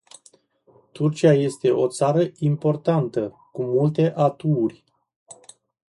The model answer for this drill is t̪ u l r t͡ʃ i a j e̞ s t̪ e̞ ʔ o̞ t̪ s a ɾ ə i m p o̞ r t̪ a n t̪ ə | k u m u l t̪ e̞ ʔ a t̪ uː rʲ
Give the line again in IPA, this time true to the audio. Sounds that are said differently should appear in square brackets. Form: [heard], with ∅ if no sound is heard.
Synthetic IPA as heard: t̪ u [∅] r t͡ʃ i a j e̞ s t̪ e̞ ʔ o̞ t̪ s a ɾ ə i m p o̞ r t̪ a n t̪ ə | k u m u l t̪ e̞ ʔ a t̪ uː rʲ

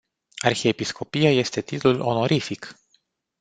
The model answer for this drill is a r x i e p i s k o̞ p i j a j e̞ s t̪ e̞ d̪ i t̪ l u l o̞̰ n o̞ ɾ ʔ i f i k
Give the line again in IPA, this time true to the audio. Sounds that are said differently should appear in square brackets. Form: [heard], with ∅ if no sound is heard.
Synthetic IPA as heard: a r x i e p i s k o̞ p i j a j e̞ s t̪ e̞ [t̪] i t̪ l u l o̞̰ n o̞ ɾ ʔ i f i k

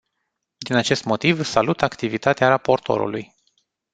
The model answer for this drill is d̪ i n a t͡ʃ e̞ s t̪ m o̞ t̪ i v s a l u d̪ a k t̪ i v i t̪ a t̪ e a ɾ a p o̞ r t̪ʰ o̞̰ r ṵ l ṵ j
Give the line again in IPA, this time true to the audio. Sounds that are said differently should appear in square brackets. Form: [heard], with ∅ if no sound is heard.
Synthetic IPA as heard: d̪ i n a t͡ʃ e̞ s t̪ m o̞ t̪ i v s a l u [t̪] a k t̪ i v i t̪ a t̪ e a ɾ a p o̞ r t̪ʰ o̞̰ [ɾ] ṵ l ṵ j

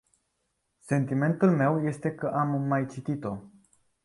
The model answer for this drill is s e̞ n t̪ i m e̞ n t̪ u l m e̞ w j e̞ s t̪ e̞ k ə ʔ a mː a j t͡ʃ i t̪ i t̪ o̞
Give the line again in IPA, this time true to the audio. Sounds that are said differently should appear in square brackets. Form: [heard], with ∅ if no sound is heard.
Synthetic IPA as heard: s e̞ n t̪ i m e̞ n t̪ u l m e̞ w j e̞ s t̪ e̞ k ə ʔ a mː a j t͡ʃ i t̪ i t̪ o̞

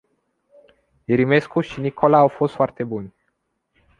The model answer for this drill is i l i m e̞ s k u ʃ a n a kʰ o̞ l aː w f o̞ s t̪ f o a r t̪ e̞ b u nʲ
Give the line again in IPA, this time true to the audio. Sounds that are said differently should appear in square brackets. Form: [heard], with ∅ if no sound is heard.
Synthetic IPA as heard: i [ɾ] i m e̞ s k u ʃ [i] n [i] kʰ o̞ l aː w f o̞ s t̪ f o a r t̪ e̞ b u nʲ

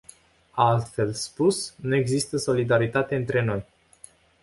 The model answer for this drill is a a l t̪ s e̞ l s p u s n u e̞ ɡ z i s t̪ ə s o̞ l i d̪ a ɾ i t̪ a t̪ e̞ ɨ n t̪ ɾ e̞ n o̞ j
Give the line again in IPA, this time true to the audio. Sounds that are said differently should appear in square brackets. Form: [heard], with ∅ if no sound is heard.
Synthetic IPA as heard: a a l t̪ [f] e̞ l s p u s n u e̞ ɡ z i s t̪ ə s o̞ l i d̪ a ɾ i t̪ a t̪ e̞ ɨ n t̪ ɾ e̞ n o̞ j

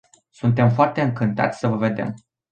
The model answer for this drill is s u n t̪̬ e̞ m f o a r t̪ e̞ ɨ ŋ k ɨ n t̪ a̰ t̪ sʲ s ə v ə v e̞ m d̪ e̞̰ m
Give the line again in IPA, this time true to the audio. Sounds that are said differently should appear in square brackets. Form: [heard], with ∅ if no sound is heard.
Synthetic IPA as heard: s u n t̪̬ e̞ m f o a r t̪ e̞ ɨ ŋ k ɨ n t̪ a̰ t̪ sʲ s ə v ə v e̞ [∅] d̪ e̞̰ m

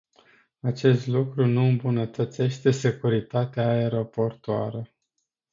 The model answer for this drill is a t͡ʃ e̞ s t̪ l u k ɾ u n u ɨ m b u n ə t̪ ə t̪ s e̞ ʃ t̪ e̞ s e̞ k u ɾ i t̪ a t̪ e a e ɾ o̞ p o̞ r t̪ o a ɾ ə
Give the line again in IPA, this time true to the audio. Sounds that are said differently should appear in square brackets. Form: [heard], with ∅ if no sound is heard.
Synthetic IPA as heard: a t͡ʃ e̞ s t̪ l u k ɾ u n u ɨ m b u n ə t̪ ə t̪ s e̞ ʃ t̪ e̞ s e̞ k u ɾ i t̪ a t̪ e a e ɾ o̞ p o̞ r t̪ o a ɾ ə

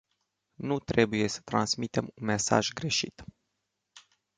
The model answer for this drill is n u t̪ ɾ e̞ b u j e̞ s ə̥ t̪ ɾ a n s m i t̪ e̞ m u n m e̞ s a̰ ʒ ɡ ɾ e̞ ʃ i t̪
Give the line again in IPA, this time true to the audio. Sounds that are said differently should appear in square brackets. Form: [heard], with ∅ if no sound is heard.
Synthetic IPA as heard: n u t̪ ɾ e̞ b u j e̞ s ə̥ t̪ ɾ a n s m i t̪ e̞ m u n m e̞ s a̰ ʒ ɡ ɾ e̞ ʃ i t̪

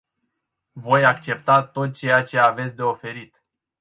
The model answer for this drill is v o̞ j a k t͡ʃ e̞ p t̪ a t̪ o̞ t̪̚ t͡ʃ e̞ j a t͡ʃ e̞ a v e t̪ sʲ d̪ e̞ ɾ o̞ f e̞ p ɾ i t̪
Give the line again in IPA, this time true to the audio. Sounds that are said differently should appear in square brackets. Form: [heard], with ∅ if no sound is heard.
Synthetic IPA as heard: v o̞ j a k t͡ʃ e̞ p t̪ a t̪ o̞ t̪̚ t͡ʃ e̞ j a t͡ʃ e̞ a v e t̪ sʲ d̪ e̞ [∅] o̞ f e̞ [∅] ɾ i t̪

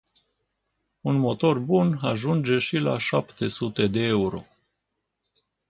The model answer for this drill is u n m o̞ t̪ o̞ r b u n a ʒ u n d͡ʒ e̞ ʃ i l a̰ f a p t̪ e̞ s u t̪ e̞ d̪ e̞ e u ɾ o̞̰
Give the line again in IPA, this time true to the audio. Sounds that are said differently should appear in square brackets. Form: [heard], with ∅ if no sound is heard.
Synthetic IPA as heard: u n m o̞ t̪ o̞ r b u n a ʒ u n d͡ʒ e̞ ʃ i l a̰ [ʃ] a p t̪ e̞ s u t̪ e̞ d̪ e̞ e u ɾ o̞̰

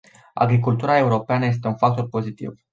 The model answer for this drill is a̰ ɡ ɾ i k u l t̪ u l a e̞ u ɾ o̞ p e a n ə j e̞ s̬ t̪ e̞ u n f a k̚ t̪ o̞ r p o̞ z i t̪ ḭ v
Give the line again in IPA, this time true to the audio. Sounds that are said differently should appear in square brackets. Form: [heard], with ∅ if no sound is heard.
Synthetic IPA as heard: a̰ ɡ ɾ i k u l t̪ u [ɾ] a e̞ u ɾ o̞ p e a n ə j e̞ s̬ t̪ e̞ u n f a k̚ t̪ o̞ r p o̞ z i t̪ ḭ v

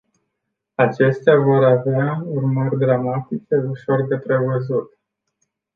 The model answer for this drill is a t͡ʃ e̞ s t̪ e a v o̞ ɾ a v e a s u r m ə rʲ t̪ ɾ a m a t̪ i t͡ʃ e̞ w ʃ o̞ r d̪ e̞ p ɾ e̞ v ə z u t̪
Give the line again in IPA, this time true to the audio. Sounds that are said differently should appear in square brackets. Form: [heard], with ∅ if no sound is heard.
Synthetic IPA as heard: a t͡ʃ e̞ s t̪ e a v o̞ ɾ a v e a [∅] u r m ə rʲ [d̪] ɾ a m a t̪ i t͡ʃ e̞ [u] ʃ o̞ r d̪ e̞ p ɾ e̞ v ə z u t̪

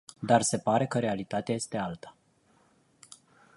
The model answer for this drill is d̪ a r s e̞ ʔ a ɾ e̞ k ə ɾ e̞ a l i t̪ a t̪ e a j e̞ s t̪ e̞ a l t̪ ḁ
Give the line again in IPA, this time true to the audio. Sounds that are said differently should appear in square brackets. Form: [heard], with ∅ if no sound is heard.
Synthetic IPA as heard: d̪ a r s e̞ [p] a ɾ e̞ k ə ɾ e̞ a l i t̪ a t̪ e a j e̞ s t̪ e̞ a l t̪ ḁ

